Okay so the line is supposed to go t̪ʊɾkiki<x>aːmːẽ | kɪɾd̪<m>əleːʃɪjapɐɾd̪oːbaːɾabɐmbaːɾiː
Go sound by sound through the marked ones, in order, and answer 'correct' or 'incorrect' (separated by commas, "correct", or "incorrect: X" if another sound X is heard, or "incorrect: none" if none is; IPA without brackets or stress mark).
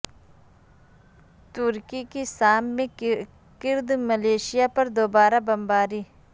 incorrect: s, correct